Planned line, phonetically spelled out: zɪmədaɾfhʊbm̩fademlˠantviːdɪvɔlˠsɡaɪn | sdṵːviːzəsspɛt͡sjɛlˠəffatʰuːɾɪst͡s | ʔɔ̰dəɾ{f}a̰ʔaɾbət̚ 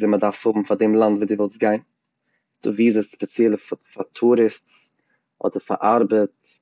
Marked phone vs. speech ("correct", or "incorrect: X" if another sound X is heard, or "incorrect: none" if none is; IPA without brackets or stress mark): correct